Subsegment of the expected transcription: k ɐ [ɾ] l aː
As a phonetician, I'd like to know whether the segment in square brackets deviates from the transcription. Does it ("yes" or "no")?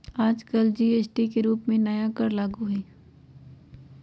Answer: no